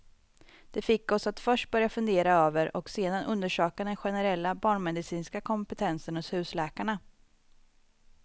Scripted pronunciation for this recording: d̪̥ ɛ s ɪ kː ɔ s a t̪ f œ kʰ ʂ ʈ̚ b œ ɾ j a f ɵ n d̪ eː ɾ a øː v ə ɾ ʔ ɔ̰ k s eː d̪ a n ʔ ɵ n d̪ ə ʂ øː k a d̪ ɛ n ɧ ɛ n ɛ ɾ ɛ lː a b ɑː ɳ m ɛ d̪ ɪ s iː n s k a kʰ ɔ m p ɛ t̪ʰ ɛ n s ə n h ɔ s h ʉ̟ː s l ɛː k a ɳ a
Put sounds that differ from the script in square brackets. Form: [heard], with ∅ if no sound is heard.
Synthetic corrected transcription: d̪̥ ɛ [f] ɪ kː ɔ s a t̪ f œ [∅] ʂ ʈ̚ b œ ɾ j a f ɵ n d̪ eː ɾ a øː v ə ɾ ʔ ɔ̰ k s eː d̪ a n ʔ ɵ n d̪ ə ʂ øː k a d̪ ɛ n ɧ ɛ n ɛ ɾ ɛ lː a b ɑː ɳ m ɛ d̪ ɪ s iː n s k a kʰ ɔ m p ɛ t̪ʰ ɛ n s ə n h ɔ s h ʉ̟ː s l ɛː k a ɳ a